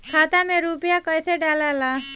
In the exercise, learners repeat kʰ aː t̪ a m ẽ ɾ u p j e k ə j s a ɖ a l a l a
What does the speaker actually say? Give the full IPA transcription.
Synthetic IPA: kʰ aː t̪ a m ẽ ɾ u p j a k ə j s e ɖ a l a l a